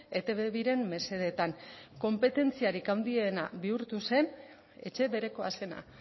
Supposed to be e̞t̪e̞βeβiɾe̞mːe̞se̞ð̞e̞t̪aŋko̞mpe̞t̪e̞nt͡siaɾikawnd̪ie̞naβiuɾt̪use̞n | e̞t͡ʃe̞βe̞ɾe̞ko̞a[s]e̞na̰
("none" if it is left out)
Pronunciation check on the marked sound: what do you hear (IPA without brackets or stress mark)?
s